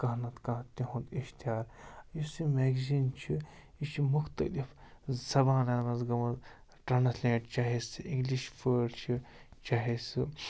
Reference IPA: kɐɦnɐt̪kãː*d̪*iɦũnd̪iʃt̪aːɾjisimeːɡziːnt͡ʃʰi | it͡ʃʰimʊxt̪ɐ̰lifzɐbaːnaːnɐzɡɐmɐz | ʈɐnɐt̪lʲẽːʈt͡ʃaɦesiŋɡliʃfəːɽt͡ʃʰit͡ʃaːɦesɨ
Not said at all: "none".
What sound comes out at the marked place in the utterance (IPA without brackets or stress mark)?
t̪